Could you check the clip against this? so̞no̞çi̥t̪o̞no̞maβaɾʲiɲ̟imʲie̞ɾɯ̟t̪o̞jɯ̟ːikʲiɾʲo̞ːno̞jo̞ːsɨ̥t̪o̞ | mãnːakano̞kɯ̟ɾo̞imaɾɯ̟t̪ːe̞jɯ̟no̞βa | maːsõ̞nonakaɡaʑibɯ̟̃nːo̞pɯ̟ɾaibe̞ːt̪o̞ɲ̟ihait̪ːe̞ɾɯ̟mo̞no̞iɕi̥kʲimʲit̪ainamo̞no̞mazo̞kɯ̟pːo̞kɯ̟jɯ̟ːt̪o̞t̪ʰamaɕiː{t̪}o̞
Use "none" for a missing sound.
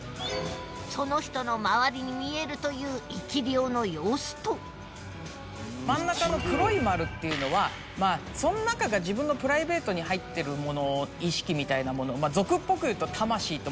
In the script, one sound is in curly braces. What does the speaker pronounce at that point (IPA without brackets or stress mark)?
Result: t̪